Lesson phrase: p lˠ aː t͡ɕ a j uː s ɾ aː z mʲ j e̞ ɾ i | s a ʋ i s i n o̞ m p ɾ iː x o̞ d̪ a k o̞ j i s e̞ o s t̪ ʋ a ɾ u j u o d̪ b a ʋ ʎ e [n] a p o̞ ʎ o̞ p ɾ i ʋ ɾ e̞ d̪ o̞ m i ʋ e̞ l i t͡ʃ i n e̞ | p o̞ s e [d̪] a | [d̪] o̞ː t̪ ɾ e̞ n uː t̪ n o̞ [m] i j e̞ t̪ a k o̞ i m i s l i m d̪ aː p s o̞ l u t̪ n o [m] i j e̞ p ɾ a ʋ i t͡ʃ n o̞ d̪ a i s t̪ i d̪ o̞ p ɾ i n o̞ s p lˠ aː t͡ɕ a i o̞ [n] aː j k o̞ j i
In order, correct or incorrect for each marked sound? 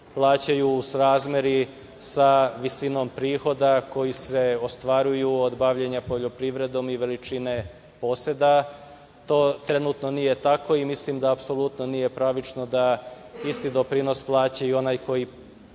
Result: incorrect: ɲ, correct, incorrect: t̪, incorrect: n, incorrect: n, correct

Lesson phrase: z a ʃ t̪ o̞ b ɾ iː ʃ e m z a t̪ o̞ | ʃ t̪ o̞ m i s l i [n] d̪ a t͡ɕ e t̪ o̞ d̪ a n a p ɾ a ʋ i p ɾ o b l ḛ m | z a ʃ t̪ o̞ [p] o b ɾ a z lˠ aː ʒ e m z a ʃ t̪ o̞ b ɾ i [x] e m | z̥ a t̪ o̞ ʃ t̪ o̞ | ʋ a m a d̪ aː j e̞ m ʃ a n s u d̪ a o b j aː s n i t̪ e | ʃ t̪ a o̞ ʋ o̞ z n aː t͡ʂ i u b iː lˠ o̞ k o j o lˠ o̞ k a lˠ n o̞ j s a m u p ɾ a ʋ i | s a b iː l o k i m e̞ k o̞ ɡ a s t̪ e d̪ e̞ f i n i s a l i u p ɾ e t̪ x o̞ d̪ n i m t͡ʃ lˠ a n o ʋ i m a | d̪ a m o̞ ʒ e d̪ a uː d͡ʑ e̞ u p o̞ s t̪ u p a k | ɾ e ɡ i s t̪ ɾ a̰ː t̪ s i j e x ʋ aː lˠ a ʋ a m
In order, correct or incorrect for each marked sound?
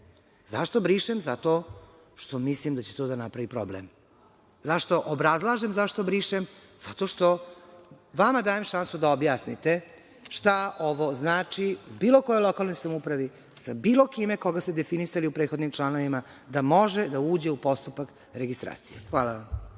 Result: incorrect: m, incorrect: ʔ, incorrect: ʃ

